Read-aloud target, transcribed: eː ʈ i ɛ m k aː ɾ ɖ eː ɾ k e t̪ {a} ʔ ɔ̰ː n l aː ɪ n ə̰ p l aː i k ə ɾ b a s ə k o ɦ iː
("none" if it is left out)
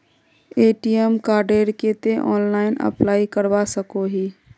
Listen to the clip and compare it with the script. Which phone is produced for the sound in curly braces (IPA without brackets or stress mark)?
e